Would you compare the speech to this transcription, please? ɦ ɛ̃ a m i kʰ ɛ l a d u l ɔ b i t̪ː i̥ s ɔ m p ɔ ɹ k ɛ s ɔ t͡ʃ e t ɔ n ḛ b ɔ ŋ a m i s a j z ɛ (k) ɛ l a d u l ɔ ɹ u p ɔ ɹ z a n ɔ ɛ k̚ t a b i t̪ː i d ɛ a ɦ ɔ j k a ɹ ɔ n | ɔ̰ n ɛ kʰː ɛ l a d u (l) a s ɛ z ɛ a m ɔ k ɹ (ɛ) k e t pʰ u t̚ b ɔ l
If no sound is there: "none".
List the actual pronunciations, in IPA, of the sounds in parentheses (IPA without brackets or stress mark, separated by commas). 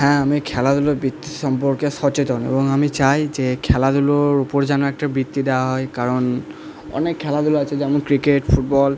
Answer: kʰ, l, i